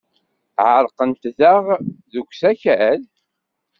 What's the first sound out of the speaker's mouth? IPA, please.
ʕ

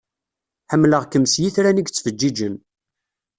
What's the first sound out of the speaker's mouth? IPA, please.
ħ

